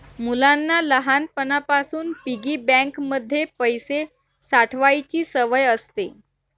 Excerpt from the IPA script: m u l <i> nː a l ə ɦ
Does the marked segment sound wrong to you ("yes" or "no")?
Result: yes